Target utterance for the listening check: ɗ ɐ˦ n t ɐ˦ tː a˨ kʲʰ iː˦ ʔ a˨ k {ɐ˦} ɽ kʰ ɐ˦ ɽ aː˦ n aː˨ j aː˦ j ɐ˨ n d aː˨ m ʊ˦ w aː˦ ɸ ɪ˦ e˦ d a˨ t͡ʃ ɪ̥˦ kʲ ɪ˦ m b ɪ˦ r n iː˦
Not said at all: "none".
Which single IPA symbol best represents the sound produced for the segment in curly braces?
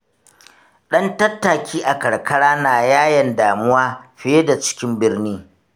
ɐ˨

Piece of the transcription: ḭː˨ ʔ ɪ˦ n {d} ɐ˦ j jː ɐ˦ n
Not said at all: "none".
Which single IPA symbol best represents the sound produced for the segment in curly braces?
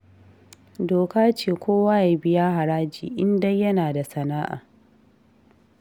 d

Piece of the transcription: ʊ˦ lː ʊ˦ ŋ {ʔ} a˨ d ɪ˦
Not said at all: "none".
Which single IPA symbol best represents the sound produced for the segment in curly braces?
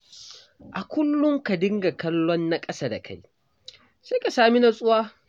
k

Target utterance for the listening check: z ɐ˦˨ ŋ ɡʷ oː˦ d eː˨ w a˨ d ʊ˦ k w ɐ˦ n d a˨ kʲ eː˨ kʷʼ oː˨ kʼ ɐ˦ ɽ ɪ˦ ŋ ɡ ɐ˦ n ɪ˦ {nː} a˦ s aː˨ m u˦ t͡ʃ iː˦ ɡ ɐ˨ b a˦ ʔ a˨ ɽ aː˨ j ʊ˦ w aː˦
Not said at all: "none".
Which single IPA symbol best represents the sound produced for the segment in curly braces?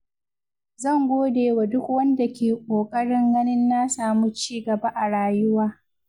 nː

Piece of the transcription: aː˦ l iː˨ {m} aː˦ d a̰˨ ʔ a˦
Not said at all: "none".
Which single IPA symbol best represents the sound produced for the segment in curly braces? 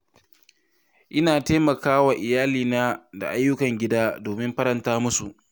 n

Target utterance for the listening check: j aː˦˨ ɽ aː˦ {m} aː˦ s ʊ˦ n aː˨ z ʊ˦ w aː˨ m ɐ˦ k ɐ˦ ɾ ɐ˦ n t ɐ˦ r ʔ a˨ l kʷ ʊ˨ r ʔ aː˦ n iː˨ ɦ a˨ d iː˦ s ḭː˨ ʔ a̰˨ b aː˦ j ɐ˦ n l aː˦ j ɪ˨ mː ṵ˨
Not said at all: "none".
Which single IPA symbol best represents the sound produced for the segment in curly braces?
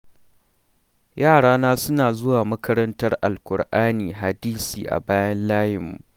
n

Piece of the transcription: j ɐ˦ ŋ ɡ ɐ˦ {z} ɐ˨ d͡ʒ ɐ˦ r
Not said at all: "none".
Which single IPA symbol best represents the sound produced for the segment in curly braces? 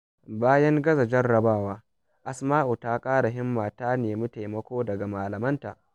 z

